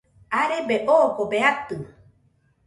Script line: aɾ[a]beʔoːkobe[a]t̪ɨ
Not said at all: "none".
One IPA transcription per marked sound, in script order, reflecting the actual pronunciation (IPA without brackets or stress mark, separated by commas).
e, a